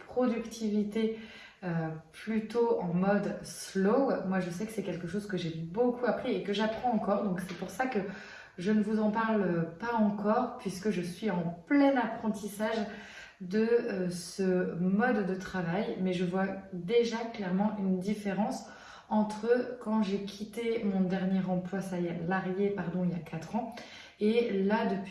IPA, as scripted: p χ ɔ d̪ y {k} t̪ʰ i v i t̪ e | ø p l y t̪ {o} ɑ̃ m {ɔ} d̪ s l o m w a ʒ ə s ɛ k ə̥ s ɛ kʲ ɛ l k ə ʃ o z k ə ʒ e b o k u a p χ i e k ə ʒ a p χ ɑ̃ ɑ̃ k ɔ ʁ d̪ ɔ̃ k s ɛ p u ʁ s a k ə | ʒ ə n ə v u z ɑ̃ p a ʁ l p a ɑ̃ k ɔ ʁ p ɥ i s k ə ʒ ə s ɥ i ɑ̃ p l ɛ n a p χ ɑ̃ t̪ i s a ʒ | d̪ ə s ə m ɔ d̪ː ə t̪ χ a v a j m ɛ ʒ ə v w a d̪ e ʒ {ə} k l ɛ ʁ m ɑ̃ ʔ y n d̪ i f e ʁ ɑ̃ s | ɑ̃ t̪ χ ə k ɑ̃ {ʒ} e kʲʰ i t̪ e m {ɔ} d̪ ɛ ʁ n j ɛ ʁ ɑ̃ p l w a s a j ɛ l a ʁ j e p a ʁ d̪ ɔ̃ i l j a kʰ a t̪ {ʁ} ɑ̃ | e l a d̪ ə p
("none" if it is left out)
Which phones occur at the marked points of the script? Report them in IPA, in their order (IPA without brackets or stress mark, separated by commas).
k, o, ɔ, a, ʒ, ɔ̃, χ